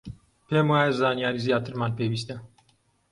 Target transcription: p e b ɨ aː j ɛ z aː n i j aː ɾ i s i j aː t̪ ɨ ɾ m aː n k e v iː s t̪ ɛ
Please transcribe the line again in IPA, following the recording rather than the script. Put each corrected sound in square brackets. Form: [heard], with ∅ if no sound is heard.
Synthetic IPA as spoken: p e [m] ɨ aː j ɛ z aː n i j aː ɾ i [z] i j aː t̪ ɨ ɾ m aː n [p] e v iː s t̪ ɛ